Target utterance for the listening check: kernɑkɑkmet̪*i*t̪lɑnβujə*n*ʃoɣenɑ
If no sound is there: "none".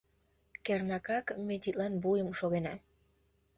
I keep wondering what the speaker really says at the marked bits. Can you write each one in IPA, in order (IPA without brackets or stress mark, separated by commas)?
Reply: i, m